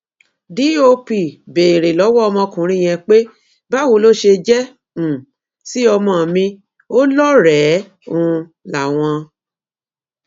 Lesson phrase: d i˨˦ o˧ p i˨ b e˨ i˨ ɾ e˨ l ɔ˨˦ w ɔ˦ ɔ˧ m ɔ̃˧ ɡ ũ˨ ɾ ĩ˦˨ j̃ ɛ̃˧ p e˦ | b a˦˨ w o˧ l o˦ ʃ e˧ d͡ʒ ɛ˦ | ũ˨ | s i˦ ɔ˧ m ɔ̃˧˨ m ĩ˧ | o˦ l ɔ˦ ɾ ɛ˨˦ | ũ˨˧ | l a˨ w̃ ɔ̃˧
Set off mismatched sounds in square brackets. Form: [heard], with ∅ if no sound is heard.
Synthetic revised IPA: d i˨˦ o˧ p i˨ b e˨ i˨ ɾ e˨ l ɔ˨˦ w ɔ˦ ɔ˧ m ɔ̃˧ [k] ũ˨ ɾ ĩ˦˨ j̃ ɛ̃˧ [k͡p] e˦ | b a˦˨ w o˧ l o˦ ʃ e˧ d͡ʒ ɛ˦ | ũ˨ | s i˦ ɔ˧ m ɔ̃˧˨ m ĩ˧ | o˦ l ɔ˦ ɾ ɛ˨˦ | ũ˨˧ | l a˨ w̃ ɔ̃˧